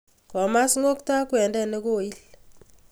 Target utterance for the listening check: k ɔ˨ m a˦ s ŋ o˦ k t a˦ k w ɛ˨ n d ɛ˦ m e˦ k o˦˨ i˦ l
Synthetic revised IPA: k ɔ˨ m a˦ s ŋ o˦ k t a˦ k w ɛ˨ n d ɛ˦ n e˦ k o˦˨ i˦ l